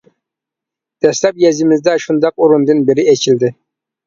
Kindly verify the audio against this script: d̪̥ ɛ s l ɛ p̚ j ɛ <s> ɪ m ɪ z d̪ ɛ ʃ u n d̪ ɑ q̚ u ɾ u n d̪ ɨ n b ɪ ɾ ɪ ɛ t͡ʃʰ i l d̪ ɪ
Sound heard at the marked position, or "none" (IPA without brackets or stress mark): z